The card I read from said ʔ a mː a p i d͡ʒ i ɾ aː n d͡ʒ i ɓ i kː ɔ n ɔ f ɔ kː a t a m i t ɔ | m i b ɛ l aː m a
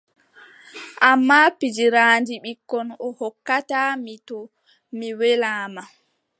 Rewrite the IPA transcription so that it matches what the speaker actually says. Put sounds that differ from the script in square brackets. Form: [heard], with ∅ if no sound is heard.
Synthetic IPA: ʔ a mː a p i d͡ʒ i ɾ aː n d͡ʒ i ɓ i kː ɔ n ɔ [h] ɔ kː a t a m i t ɔ | m i [w] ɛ l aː m a